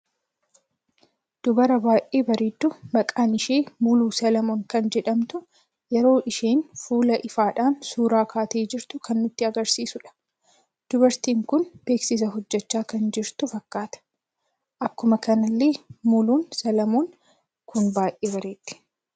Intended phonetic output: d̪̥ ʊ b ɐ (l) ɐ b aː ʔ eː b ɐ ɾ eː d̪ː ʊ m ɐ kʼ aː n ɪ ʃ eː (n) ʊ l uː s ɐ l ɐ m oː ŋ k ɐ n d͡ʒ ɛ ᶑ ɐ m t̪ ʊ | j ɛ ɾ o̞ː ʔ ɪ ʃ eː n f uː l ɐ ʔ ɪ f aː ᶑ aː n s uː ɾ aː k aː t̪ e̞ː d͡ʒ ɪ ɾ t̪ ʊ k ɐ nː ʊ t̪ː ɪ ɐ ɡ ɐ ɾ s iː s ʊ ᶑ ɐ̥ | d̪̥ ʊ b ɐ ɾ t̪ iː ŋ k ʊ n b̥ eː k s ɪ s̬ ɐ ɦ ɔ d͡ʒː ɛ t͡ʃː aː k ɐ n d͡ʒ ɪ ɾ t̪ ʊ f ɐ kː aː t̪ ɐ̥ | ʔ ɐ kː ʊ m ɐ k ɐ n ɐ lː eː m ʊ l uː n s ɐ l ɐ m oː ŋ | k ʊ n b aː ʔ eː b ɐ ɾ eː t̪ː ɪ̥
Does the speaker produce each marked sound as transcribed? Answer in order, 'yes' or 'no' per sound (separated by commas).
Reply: no, no